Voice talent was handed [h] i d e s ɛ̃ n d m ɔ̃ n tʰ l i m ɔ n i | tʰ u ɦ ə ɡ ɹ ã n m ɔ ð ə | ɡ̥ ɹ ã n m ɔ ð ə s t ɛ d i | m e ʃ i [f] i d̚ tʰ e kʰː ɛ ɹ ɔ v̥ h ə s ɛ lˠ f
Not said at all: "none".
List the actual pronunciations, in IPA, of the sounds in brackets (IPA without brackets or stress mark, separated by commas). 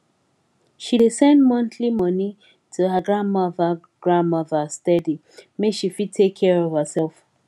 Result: ʃ, f